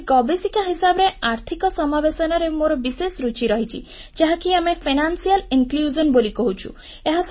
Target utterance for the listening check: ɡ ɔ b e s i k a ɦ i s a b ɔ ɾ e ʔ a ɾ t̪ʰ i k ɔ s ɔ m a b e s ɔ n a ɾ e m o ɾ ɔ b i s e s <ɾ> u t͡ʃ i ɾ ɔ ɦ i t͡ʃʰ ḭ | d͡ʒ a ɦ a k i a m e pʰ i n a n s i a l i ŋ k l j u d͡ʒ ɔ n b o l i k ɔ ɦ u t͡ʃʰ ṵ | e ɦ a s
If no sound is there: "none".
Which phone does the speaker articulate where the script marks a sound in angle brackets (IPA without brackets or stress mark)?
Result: ɾ